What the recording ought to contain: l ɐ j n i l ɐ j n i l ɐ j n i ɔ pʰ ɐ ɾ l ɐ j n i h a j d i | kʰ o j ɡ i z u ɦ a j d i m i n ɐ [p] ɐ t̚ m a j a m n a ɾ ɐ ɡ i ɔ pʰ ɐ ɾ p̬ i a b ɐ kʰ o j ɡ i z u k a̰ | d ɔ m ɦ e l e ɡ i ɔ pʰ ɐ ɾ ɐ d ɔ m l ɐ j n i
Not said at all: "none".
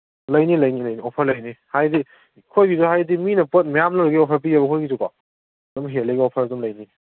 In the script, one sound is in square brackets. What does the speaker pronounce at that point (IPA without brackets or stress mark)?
p